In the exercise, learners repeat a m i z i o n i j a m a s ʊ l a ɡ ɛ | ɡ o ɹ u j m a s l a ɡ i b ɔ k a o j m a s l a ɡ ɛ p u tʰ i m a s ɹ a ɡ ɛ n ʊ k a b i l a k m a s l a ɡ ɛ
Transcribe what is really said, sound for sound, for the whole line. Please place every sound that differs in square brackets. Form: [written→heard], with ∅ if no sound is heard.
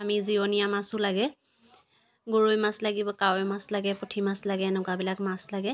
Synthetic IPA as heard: a m i z i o n i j a m a s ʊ l a ɡ ɛ | ɡ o ɹ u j m a s l a ɡ i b ɔ k a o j m a s l a ɡ ɛ p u tʰ i m a s [ɹ→l] a ɡ ɛ n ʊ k a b i l a k m a s l a ɡ ɛ

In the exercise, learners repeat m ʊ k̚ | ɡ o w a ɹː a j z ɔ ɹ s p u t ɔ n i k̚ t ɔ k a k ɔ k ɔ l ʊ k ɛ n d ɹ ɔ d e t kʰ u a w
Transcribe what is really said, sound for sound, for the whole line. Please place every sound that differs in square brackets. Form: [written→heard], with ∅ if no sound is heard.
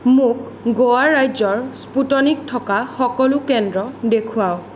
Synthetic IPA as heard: m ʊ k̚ | ɡ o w a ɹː a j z ɔ ɹ s p u t ɔ n i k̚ [t→tʰ] ɔ k a [k→x] ɔ k ɔ l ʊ k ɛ n d ɹ ɔ d e [t→∅] kʰ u a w

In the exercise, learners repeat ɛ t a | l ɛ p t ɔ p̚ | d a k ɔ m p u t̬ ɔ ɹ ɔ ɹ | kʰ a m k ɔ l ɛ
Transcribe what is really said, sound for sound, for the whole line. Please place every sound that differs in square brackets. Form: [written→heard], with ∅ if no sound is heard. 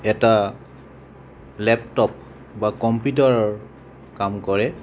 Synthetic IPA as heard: ɛ t a | l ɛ p t ɔ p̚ | [d→b] a k ɔ m p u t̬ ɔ ɹ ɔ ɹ | [kʰ→k] a m k ɔ [l→ɹ] ɛ

